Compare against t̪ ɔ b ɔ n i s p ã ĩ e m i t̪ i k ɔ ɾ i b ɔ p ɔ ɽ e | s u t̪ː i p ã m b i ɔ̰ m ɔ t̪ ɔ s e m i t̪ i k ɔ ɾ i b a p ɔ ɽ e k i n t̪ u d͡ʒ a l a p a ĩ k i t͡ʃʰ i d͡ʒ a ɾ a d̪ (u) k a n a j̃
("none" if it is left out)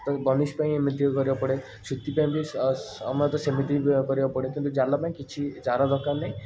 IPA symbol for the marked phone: ɔ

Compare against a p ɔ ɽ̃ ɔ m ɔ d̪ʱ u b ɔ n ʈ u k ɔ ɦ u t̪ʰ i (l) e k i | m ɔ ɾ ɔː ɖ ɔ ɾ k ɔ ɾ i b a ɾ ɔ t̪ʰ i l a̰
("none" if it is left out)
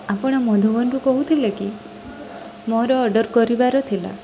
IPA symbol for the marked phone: l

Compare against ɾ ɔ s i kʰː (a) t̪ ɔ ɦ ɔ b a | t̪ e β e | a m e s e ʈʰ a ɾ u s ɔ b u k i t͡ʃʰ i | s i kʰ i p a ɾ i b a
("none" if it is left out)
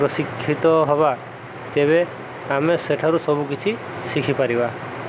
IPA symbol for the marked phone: i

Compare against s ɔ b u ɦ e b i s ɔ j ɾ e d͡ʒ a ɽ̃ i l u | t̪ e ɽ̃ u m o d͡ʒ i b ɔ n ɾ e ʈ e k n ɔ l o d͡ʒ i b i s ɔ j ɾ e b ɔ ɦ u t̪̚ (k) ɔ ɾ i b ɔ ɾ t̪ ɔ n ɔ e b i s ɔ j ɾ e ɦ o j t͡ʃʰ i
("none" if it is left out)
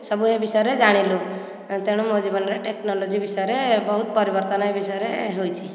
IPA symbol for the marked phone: p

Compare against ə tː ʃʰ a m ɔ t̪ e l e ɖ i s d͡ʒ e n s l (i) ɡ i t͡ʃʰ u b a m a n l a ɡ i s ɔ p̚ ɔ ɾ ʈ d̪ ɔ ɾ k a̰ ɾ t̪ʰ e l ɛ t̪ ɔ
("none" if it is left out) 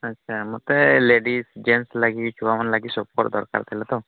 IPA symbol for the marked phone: a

